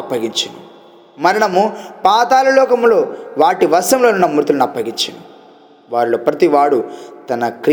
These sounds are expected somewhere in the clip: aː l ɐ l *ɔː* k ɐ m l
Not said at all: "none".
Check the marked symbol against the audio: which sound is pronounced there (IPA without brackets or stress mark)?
ɔː